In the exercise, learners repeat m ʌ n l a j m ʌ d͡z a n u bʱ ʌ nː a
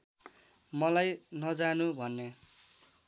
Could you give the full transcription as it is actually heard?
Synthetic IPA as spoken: m ʌ l a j n ʌ d͡z a n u bʱ ʌ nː e